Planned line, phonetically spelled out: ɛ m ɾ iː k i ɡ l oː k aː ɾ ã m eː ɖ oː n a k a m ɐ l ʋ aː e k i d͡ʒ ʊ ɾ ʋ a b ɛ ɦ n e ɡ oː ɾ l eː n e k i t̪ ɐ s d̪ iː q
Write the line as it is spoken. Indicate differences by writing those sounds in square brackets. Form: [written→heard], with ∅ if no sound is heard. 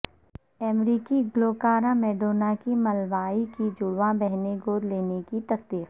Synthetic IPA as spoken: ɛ m ɾ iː k i ɡ l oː k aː ɾ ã m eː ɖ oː n a k [a→i] m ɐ l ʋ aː [e→i] k i d͡ʒ ʊ [ɾ→ɽ] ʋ a b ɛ ɦ n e ɡ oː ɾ l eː n e k i t̪ ɐ s d̪ iː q